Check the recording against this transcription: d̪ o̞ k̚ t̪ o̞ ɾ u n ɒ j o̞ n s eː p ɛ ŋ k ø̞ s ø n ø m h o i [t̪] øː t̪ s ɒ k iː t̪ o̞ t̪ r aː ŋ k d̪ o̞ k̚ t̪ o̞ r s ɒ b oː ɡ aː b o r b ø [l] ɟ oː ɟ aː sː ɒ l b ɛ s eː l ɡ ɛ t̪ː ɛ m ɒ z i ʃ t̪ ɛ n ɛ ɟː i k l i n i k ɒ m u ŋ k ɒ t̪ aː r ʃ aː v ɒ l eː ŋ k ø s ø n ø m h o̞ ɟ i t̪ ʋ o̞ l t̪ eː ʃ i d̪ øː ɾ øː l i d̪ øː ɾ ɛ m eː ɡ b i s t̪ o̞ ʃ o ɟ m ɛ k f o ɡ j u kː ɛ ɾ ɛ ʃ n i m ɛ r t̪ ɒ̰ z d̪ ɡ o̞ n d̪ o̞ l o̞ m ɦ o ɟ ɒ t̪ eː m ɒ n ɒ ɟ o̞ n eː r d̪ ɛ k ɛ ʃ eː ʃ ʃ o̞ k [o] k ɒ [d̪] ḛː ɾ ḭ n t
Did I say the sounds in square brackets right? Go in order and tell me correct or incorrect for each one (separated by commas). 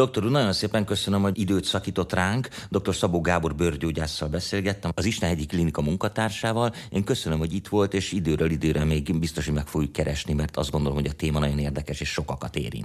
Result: incorrect, incorrect, incorrect, incorrect